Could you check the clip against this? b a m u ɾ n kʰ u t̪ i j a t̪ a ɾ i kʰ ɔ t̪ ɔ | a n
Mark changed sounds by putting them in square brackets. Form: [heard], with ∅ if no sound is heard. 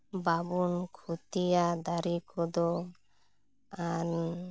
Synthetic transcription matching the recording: b a [b] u [∅] n kʰ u t̪ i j a [d̪] a ɾ i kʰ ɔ [d̪] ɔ | a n